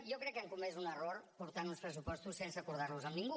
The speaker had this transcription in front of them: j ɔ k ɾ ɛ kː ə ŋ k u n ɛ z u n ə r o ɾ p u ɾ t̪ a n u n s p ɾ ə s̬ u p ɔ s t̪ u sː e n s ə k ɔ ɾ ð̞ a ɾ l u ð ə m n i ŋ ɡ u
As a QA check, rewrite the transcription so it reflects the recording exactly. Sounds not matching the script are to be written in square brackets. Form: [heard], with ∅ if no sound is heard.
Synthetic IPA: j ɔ k ɾ ɛ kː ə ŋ k u [m] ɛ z u n ə r o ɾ p u ɾ t̪ a n u n s p ɾ ə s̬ u p ɔ s t̪ u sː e n s ə k [u] ɾ ð̞ a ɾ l u [z] ə m n i ŋ ɡ u